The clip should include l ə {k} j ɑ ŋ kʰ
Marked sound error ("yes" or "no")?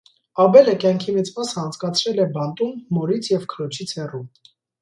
no